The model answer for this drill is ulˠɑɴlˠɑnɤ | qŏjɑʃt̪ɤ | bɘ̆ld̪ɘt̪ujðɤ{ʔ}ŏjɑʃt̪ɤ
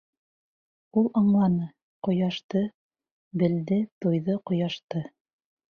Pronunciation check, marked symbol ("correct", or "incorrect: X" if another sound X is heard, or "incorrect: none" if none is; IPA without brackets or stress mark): incorrect: q